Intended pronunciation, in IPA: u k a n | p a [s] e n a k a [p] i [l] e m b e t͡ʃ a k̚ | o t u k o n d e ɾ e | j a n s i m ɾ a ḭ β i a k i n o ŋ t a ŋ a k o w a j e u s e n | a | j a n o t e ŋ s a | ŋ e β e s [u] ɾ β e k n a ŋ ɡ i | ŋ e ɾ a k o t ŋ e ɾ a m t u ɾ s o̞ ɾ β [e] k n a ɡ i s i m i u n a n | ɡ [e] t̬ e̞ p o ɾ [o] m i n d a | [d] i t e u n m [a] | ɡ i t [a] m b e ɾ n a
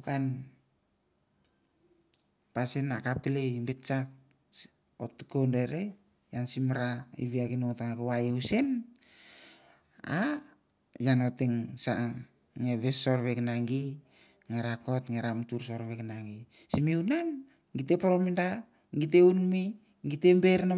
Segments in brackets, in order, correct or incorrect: correct, correct, correct, incorrect: o, correct, incorrect: i, correct, incorrect: ɡ, incorrect: i, incorrect: e

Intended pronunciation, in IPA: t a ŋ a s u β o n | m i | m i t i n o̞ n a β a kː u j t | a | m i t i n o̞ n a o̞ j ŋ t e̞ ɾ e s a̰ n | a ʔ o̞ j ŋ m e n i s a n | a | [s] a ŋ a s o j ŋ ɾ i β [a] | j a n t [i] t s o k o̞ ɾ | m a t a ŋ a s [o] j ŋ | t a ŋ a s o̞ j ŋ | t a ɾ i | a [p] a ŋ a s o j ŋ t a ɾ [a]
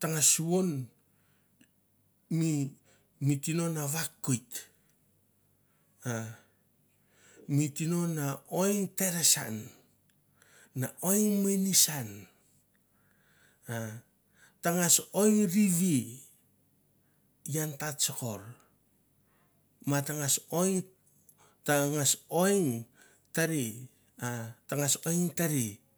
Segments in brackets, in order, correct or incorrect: incorrect: t, incorrect: i, incorrect: a, correct, incorrect: t, incorrect: i

